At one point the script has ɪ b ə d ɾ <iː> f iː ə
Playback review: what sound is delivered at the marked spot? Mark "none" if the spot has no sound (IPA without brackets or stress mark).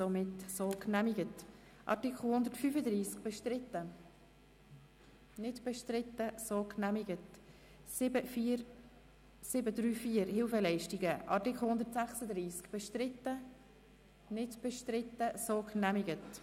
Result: yː